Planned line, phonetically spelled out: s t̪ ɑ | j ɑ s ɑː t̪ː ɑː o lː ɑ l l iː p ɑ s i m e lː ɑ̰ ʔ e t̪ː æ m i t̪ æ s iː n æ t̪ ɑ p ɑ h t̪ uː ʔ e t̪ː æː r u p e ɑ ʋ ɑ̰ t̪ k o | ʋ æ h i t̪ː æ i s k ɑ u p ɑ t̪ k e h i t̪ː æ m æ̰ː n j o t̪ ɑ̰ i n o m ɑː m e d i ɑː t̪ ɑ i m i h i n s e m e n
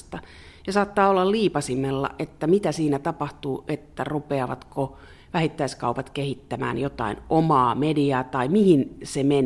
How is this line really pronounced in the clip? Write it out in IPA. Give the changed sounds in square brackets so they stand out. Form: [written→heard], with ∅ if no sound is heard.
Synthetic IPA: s t̪ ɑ | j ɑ s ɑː t̪ː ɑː o lː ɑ l l iː p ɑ s i m e lː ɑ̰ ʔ e t̪ː æ m i t̪ æ s iː n æ t̪ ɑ p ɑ h t̪ uː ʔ e t̪ː [æː→æ] r u p e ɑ ʋ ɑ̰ t̪ k o | ʋ æ h i t̪ː æ i s k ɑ u p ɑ t̪ k e h i t̪ː æ m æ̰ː n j o t̪ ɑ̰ i n o m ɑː m e d i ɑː t̪ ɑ i m i h i n s e m e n